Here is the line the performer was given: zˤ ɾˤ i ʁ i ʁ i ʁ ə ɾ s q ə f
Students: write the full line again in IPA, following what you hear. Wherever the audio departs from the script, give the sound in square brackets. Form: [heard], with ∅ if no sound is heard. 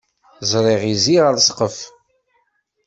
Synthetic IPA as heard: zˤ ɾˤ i ʁ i [z] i ʁ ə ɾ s q ə f